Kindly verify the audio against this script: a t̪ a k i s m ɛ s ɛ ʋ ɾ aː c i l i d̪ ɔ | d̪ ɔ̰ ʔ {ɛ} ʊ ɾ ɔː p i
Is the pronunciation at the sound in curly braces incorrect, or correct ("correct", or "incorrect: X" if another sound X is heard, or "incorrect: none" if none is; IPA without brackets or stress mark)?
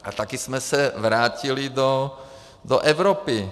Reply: correct